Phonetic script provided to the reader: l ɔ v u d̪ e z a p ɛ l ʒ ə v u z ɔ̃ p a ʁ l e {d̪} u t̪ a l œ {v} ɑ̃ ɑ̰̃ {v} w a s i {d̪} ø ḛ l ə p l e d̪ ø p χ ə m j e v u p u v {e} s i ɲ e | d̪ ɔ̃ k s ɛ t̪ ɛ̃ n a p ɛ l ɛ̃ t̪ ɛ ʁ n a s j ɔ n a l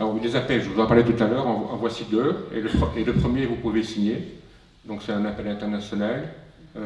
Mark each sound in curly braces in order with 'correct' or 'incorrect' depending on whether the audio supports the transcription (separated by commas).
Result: incorrect, incorrect, correct, correct, correct